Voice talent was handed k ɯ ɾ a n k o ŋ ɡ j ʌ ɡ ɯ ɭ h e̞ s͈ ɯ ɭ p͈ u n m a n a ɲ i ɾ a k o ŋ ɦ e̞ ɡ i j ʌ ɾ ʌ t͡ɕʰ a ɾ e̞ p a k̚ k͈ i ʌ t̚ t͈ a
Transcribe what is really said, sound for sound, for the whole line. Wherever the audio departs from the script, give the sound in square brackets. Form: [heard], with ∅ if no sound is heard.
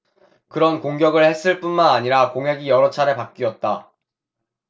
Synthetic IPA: k ɯ ɾ [ʌ] n k o ŋ ɡ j ʌ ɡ ɯ ɭ h e̞ s͈ ɯ ɭ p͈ u n m a n a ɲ i ɾ a k o ŋ ɦ e̞ ɡ i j ʌ ɾ ʌ t͡ɕʰ a ɾ e̞ p a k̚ k͈ i ʌ t̚ t͈ a